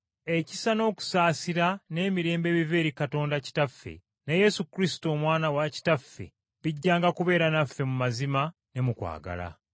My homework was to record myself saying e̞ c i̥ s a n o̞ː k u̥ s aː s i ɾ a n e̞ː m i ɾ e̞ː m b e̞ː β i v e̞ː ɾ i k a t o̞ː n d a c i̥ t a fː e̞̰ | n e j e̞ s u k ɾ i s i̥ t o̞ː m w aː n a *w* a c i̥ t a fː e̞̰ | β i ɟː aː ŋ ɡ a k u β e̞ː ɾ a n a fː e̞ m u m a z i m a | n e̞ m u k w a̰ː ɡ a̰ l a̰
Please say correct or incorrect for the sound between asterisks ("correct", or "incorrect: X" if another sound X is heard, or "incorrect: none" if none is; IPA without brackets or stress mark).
correct